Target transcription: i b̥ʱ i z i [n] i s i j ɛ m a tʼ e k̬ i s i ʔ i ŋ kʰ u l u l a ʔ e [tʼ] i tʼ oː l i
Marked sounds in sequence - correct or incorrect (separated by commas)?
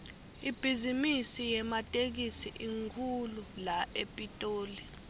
incorrect, incorrect